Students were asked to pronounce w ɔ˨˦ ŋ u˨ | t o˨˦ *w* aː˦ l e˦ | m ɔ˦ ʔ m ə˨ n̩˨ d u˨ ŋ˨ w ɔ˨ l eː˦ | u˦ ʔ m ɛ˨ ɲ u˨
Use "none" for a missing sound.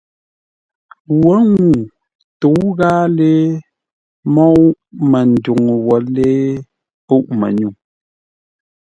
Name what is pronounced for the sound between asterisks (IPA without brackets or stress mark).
ɣ